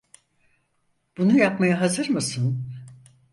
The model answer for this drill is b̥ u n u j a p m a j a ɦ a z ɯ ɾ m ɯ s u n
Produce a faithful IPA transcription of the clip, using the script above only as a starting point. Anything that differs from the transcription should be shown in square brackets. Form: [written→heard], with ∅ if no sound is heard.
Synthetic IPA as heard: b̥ u n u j a p m a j a ɦ a z ɯ ɾ m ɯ s [u→ɯ] n

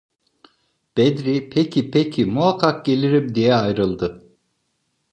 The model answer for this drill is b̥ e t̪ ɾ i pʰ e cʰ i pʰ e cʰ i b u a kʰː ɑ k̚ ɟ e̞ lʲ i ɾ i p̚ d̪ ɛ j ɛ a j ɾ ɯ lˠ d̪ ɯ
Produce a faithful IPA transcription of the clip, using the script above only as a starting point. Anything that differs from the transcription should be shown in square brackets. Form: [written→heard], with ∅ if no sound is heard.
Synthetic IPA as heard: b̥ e [t̪→d̪] ɾ i pʰ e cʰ i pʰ e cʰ i [b→m] u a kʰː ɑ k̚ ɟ e̞ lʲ i ɾ i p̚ d̪ [ɛ→i] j ɛ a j ɾ ɯ lˠ d̪ ɯ

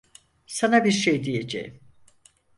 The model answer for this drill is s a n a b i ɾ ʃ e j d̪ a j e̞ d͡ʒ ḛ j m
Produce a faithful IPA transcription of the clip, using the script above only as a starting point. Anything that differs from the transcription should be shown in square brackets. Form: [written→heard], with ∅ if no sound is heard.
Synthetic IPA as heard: s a n a b i ɾ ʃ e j d̪ [a→i] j e̞ d͡ʒ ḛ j m

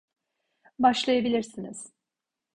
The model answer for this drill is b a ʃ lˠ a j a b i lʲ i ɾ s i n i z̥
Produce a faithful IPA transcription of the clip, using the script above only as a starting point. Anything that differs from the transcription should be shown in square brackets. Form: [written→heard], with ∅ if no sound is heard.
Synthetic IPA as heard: b a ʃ lˠ a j a b i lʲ i ɾ s i n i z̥

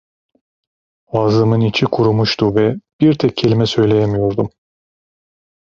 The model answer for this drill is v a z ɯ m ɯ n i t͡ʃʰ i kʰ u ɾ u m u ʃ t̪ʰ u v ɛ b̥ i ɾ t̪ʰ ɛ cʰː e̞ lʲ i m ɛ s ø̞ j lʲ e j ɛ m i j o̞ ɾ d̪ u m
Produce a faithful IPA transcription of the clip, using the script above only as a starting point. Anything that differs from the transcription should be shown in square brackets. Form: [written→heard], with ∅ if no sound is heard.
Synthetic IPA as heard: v a z ɯ m ɯ n i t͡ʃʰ i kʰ u ɾ u m u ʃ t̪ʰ u v ɛ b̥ i ɾ t̪ʰ ɛ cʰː e̞ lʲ i m ɛ s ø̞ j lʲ e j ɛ m i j o̞ ɾ d̪ u m

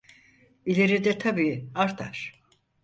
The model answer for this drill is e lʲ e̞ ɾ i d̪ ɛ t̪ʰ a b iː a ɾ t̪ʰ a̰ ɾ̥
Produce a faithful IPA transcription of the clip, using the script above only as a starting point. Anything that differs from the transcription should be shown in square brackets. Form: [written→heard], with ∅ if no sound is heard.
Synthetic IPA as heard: [e→i] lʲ e̞ ɾ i d̪ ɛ t̪ʰ a b iː a ɾ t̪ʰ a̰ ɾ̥

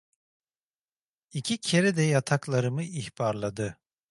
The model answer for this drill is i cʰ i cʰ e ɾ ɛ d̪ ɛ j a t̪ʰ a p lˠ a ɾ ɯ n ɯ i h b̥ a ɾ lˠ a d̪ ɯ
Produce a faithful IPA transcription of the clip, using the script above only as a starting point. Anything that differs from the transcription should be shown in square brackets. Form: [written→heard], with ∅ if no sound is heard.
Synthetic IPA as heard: i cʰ i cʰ e ɾ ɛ d̪ ɛ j a t̪ʰ a [p→k] lˠ a ɾ ɯ [n→m] ɯ i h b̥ a ɾ lˠ a d̪ ɯ

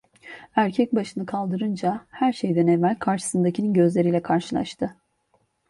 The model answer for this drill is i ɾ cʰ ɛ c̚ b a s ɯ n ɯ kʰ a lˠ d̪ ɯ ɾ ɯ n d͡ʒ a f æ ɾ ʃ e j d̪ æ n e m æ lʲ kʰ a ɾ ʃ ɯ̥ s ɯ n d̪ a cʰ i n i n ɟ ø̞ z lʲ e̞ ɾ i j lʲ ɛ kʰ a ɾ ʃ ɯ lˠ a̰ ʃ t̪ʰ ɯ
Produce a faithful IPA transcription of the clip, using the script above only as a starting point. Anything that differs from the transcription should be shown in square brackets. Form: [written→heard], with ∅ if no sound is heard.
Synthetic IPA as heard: [i→æ] ɾ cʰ ɛ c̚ b a [s→ʃ] ɯ n ɯ kʰ a lˠ d̪ ɯ ɾ ɯ n d͡ʒ a [f→h] æ ɾ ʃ e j d̪ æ n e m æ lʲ kʰ a ɾ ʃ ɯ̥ s ɯ n d̪ a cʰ i n i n ɟ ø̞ z lʲ e̞ ɾ i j lʲ ɛ kʰ a ɾ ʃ ɯ lˠ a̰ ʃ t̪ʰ ɯ

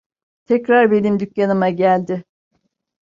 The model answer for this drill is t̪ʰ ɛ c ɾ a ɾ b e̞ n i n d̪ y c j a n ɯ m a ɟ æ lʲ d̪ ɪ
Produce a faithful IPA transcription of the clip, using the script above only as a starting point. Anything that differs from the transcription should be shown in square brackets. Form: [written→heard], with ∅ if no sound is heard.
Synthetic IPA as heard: t̪ʰ ɛ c ɾ a ɾ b e̞ n i [n→m] d̪ y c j a n ɯ m a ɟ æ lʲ d̪ ɪ

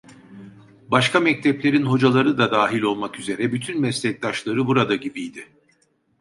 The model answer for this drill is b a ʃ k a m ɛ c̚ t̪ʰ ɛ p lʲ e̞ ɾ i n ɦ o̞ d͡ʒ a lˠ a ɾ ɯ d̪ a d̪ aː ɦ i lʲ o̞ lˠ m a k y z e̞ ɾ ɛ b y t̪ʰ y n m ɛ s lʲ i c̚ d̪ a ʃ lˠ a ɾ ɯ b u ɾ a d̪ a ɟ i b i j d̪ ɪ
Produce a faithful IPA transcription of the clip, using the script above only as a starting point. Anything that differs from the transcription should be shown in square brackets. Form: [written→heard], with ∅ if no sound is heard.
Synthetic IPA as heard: b a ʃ k a m ɛ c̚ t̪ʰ ɛ p lʲ e̞ ɾ i n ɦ o̞ d͡ʒ a lˠ a ɾ ɯ d̪ a d̪ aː ɦ i lʲ o̞ lˠ m a k y z e̞ ɾ ɛ b y t̪ʰ y n m ɛ s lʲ [i→ɛ] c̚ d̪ a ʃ lˠ a ɾ ɯ b u ɾ a d̪ a ɟ i b i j d̪ ɪ

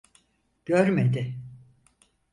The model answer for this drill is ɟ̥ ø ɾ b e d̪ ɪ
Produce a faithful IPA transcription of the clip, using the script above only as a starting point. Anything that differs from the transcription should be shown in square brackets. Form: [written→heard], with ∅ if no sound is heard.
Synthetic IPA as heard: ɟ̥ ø ɾ [b→m] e d̪ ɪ

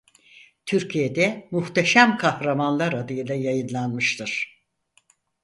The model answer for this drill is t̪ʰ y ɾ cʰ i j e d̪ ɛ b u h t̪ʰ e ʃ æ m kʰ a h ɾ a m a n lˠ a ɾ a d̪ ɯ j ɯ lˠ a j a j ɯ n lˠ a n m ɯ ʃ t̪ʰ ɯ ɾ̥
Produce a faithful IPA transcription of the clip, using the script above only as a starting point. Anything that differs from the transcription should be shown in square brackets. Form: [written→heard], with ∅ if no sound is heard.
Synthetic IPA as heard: t̪ʰ y ɾ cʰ i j e d̪ ɛ [b→m] u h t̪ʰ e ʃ æ m kʰ a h ɾ a m a n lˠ a ɾ a d̪ ɯ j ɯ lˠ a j a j ɯ n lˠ a n m ɯ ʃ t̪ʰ ɯ ɾ̥

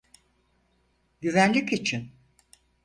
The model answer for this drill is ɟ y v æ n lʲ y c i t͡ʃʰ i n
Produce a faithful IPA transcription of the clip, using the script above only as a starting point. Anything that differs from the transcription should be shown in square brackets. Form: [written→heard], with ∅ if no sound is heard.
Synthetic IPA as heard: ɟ y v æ n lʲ [y→i] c i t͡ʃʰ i n

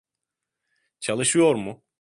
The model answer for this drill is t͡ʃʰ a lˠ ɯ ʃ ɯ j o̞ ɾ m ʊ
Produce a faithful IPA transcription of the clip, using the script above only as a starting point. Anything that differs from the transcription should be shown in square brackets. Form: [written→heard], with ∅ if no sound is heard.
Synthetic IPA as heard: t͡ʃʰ a lˠ ɯ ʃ ɯ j o̞ ɾ m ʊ

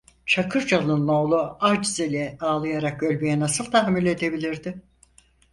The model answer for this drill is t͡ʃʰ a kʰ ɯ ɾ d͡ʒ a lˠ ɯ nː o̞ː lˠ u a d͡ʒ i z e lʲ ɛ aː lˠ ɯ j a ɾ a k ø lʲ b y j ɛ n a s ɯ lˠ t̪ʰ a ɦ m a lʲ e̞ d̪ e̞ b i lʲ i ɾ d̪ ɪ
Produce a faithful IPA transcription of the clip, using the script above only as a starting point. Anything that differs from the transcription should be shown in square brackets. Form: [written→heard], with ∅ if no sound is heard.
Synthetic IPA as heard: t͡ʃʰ a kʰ ɯ ɾ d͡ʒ a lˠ ɯ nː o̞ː lˠ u a d͡ʒ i z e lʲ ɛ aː lˠ ɯ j a ɾ a k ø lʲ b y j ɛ n a s ɯ lˠ t̪ʰ a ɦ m [a→i] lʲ e̞ d̪ e̞ b i lʲ i ɾ d̪ ɪ

